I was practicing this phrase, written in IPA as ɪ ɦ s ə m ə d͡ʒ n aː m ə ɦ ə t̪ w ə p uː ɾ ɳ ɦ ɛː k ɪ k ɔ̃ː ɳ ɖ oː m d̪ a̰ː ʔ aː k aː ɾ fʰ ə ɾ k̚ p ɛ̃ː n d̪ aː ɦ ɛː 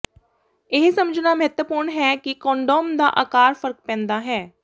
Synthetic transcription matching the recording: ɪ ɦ s ə m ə d͡ʒ n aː m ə ɦ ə t̪ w ə p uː ɾ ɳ ɦ ɛː k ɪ k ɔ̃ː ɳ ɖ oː m d̪ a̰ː ʔ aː k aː ɾ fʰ ə ɾ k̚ p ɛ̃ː n d̪ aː ɦ ɛː